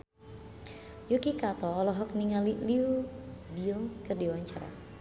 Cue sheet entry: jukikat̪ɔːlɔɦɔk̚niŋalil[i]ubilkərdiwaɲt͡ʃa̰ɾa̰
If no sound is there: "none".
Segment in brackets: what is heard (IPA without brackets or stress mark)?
i